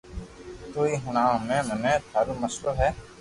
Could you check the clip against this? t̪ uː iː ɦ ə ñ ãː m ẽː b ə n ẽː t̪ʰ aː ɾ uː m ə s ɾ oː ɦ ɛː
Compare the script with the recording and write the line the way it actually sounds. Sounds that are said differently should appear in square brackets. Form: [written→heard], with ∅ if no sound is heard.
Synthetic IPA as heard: t̪ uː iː ɦ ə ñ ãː m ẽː [b→m] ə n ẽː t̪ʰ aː ɾ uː m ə s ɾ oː ɦ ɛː